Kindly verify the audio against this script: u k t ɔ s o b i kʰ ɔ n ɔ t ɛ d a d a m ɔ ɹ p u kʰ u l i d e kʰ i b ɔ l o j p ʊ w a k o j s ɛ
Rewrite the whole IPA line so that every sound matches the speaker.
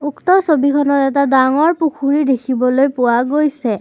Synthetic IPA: u k t ɔ s o b i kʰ ɔ n ɔ t ɛ t a d a ŋ ɔ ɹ p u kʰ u ɹ i d e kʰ i b ɔ l o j p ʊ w a ɡ o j s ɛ